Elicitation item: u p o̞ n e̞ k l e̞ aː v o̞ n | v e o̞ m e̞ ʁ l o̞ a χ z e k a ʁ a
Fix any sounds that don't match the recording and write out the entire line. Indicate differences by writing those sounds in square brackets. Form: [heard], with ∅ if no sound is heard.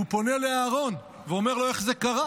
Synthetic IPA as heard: u p o̞ n e̞ [∅] l e̞ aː [ʁ] o̞ n | v e o̞ m e̞ ʁ l o̞ [e] χ z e k a ʁ a

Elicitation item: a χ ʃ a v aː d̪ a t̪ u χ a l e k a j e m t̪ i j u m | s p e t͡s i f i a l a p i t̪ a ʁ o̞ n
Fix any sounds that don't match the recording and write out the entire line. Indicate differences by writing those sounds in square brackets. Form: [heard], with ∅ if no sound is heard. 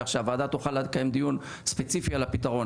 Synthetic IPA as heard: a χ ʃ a v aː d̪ a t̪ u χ a l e k a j e m [d̪] i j u [n] | s p e t͡s i f i a l a p i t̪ a ʁ o̞ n

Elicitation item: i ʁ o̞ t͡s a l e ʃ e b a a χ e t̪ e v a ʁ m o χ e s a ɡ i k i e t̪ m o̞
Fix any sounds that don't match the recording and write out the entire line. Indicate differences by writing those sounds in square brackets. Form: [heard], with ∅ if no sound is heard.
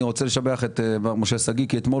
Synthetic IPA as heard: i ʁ o̞ t͡s [e] l e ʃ [a] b [e] a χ e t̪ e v a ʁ m o [ʃ] e s a ɡ i k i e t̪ m o̞

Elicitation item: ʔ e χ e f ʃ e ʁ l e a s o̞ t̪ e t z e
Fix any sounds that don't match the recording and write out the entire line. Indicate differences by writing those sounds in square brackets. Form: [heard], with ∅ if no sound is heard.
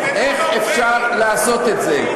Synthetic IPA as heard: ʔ e χ e f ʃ [a] ʁ l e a s o̞ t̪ e t z e

